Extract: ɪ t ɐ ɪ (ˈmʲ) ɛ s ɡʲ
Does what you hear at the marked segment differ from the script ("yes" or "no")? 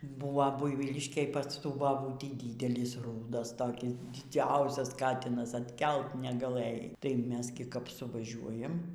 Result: no